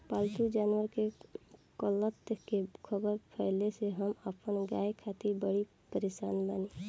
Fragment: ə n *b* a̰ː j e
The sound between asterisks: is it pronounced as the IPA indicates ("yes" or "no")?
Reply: no